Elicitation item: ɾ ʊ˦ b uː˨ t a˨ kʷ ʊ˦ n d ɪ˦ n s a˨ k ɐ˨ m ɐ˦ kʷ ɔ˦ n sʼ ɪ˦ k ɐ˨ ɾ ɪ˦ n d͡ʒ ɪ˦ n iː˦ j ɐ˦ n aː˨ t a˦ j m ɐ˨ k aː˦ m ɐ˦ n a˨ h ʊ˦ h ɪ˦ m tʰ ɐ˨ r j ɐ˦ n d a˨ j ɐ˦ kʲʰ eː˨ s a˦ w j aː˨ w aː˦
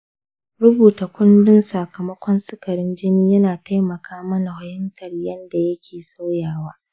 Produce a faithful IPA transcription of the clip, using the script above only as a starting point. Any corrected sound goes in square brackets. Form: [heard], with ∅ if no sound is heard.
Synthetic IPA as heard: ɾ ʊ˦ b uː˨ t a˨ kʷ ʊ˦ n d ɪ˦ n s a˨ k ɐ˨ m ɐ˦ kʷ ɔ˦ n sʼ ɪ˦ k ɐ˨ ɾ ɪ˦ n d͡ʒ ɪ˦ n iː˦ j ɐ˦ n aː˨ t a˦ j m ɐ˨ k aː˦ m ɐ˦ n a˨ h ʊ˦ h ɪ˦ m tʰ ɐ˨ r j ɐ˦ n d a˨ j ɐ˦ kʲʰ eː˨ s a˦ w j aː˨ w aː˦